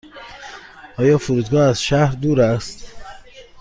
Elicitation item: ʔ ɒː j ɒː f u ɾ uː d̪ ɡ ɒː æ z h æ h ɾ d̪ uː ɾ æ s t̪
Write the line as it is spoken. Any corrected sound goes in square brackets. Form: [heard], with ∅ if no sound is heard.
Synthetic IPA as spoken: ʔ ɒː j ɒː f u ɾ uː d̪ ɡ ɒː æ z [ʃ] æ h ɾ d̪ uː ɾ æ s t̪